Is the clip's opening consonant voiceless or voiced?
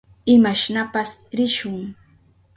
voiced